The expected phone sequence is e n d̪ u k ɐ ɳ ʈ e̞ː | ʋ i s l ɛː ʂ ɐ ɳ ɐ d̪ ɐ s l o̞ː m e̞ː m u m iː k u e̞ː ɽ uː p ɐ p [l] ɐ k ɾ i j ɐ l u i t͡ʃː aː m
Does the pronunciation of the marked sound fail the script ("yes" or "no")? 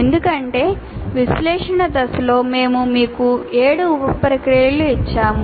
yes